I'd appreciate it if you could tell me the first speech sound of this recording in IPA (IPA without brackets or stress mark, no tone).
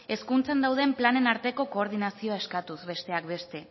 e̞